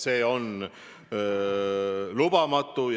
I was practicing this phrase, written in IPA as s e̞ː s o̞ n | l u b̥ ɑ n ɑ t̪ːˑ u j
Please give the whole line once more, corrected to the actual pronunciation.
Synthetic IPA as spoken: s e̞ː o̞ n | l u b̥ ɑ m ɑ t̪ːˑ u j